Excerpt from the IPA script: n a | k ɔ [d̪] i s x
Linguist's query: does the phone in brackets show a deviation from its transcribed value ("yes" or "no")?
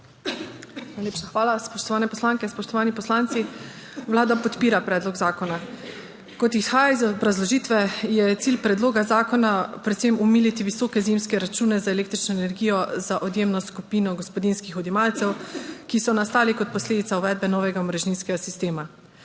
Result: yes